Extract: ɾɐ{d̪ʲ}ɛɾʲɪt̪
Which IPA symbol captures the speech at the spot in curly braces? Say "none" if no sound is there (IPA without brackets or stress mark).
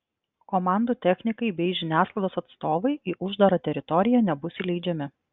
t̪ʲ